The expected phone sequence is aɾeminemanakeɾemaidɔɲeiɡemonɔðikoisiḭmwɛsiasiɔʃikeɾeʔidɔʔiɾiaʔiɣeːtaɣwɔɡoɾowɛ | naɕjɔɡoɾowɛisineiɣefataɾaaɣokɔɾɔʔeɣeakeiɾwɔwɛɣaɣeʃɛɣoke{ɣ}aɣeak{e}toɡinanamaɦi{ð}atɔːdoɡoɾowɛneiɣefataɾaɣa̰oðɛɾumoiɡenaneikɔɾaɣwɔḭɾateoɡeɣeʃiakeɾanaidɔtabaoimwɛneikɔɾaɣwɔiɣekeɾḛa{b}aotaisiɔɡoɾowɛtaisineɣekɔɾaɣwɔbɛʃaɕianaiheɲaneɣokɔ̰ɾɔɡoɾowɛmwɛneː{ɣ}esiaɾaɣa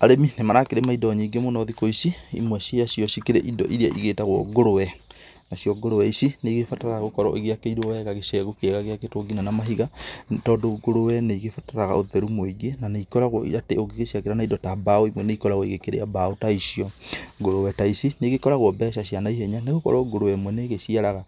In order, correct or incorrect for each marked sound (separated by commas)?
correct, correct, incorrect, correct, correct